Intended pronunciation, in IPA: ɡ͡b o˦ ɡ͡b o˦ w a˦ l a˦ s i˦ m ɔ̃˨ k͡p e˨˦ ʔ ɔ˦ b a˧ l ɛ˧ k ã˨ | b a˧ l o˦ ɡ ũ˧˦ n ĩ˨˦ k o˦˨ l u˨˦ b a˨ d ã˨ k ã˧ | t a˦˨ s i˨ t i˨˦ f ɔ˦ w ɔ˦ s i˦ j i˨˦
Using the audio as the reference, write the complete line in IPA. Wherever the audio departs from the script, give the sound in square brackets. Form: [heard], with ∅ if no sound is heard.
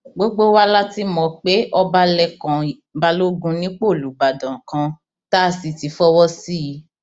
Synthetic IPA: ɡ͡b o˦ ɡ͡b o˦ w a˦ l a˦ [t] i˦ m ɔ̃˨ k͡p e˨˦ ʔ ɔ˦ b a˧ l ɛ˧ k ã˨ | b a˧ l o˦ ɡ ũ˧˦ n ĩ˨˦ [k͡p] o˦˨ l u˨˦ b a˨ d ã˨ k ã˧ | t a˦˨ s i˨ t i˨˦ f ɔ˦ w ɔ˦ s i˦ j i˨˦